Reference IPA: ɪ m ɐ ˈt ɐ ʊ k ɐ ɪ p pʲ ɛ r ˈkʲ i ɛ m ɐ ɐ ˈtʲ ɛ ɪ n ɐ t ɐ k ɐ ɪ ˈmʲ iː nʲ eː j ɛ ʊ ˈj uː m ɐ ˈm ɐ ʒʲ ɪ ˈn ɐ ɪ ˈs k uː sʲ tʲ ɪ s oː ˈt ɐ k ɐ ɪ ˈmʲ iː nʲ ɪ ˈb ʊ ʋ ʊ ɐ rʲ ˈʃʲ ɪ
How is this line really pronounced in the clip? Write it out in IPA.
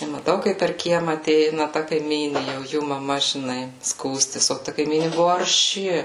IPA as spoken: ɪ m ɐ ˈt ɐ ʊ k ɐ ɪ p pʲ ɛ r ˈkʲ i ɛ m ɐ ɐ ˈtʲ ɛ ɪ n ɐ t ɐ k ɐ ɪ ˈmʲ iː nʲ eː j ɛ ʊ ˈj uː m ɐ ˈm ɐ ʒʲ ɪ ˈn ɐ ɪ ˈs k uː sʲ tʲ ɪ s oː ˈt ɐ k ɐ ɪ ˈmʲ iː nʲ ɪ ˈb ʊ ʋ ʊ ɐ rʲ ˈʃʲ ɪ

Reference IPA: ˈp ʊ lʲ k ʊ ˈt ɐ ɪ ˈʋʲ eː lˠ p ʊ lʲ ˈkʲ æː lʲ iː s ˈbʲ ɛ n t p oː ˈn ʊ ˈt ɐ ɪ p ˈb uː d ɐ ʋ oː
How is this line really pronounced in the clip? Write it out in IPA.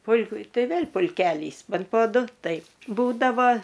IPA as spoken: ˈp ʊ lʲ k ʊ ˈt ɐ ɪ ˈʋʲ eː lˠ p ʊ lʲ ˈkʲ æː lʲ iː s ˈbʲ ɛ n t p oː ˈd ʊ ˈt ɐ ɪ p ˈb uː d ɐ ʋ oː

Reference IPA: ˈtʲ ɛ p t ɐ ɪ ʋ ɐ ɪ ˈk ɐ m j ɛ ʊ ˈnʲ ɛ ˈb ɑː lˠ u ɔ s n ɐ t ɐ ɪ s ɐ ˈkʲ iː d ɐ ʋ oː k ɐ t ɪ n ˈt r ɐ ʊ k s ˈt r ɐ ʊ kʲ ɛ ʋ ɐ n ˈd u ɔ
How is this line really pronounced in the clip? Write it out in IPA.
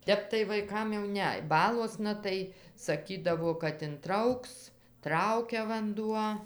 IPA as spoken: ˈtʲ ɛ p t ɐ ɪ ʋ ɐ ɪ ˈk ɐ m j ɛ ʊ ˈnʲ ɛ ˈb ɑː lˠ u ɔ s n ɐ t ɐ ɪ s ɐ ˈkʲ iː d ɐ ʋ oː k ɐ t ɪ n ˈt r ɐ ʊ k s ˈt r ɐ ʊ kʲ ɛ ʋ ɐ n ˈd u ɔ

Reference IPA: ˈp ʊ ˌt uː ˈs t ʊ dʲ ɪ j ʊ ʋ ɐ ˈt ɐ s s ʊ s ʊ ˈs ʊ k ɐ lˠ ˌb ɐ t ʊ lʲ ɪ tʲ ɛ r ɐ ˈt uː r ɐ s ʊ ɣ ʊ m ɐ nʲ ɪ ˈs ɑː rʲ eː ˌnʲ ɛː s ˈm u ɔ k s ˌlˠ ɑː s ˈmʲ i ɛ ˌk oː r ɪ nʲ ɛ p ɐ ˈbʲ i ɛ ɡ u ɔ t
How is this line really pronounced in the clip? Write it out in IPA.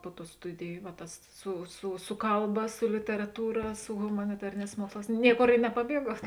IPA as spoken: ˈp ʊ ˌt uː ˈs t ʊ dʲ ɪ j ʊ ʋ ɐ ˈt ɐ s s ʊ s ʊ ˈs ʊ k ɐ lˠ ˌb ɐ s ʊ lʲ ɪ tʲ ɛ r ɐ ˈt uː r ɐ s ʊ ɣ ʊ m ɐ nʲ ɪ ˈt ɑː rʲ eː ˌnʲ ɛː s ˈm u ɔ k s ˌlˠ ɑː s ˈnʲ i ɛ ˌk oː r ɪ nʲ ɛ p ɐ ˈbʲ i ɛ ɡ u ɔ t

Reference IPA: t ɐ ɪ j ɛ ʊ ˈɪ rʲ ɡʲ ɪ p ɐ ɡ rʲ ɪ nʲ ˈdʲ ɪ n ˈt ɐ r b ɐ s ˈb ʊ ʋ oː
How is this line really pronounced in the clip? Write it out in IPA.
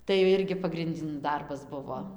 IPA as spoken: t ɐ ɪ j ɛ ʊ ˈɪ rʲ ɡʲ ɪ p ɐ ɡ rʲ ɪ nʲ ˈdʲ ɪ n ˈd ɐ r b ɐ s ˈb ʊ ʋ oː

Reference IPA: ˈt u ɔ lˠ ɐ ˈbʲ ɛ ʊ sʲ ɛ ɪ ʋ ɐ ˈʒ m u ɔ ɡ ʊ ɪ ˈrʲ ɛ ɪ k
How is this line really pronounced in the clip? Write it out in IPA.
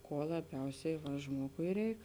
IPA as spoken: ˈk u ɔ lˠ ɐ ˈbʲ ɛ ʊ sʲ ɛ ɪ ʋ ɐ ˈʒ m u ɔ ɡ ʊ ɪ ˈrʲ ɛ ɪ k

